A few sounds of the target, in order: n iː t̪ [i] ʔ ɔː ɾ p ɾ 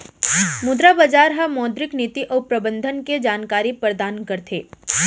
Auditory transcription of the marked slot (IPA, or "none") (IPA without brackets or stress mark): i